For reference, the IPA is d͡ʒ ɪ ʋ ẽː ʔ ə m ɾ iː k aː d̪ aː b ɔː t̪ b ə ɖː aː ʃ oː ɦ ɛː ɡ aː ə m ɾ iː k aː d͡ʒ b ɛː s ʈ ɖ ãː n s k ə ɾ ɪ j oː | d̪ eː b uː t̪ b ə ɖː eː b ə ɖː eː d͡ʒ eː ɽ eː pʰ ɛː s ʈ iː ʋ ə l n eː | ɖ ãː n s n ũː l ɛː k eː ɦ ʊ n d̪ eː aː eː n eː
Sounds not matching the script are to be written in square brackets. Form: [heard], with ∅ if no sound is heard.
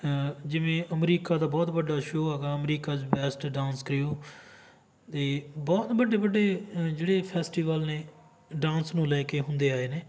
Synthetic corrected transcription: d͡ʒ ɪ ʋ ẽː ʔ ə m ɾ iː k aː d̪ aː b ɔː t̪ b ə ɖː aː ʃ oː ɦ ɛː ɡ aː ə m ɾ iː k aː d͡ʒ b ɛː s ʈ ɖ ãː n s k ə ɾ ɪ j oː | [t̪] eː b [ɔː] t̪ b ə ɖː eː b ə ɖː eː d͡ʒ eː ɽ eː pʰ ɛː s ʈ iː ʋ ə l n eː | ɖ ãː n s n ũː l ɛː k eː ɦ ʊ n d̪ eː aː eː n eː